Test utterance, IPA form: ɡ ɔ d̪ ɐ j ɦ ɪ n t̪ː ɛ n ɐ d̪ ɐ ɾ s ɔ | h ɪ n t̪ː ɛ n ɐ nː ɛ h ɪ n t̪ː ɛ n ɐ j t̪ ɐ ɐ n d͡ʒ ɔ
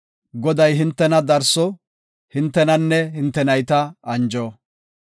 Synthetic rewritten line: ɡ ɔ d̪ ɐ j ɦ ɪ n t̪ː ɛ n ɐ d̪ ɐ ɾ s ɔ | h ɪ n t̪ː ɛ n ɐ nː ɛ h ɪ n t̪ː ɛ n ɐ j t̪ ɐ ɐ n d͡ʒ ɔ